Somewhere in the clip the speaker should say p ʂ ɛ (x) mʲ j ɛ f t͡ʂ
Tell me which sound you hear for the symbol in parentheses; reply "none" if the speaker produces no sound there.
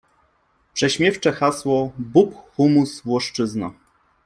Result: ɕ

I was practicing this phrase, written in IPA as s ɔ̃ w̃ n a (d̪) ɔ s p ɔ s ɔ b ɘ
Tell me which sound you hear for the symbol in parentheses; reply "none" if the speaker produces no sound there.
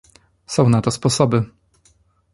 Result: t̪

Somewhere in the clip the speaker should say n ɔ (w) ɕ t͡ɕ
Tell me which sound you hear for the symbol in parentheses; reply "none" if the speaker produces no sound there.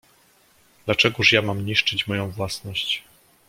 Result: none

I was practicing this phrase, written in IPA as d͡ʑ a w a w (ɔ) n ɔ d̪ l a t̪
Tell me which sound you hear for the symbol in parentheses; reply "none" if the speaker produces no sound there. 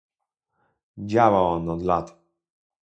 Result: ɔ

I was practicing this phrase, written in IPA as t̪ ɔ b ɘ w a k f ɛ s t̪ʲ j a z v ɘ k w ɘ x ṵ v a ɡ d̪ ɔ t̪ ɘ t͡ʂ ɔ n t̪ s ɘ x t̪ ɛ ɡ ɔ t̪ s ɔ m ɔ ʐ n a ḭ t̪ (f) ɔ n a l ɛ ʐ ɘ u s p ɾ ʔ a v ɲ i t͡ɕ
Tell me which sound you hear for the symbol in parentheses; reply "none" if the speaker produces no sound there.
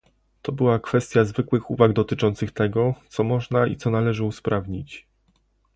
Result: s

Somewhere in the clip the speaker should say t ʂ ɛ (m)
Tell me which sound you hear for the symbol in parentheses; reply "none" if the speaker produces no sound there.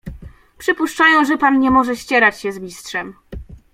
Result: m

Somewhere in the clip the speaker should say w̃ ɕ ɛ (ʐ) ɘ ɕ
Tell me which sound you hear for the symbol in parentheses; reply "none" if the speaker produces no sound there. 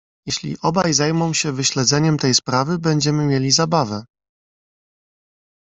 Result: v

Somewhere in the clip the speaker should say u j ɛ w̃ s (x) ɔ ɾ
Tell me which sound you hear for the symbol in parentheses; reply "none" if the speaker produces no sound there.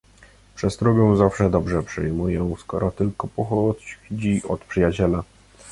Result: k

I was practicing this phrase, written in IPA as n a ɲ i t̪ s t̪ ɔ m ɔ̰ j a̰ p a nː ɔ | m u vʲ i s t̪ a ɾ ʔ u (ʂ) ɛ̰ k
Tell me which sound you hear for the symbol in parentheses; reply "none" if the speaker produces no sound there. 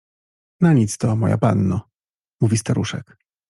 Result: ʂ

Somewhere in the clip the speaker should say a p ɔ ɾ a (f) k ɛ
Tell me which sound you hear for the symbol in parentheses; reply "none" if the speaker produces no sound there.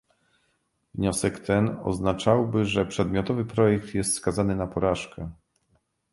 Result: ʂ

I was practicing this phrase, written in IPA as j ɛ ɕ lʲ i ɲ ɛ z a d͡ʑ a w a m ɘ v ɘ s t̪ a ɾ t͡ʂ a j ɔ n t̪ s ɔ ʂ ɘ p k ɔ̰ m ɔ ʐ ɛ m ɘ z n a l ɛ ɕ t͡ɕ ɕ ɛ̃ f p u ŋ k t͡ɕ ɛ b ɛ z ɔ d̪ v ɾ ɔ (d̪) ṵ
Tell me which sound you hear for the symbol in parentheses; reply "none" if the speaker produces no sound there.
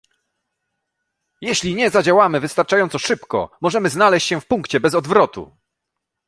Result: t̪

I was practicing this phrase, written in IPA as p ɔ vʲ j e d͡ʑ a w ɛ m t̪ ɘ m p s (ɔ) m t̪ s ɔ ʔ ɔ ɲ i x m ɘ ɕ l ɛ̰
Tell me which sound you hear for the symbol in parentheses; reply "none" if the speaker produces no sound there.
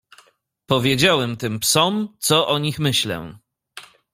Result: ɔ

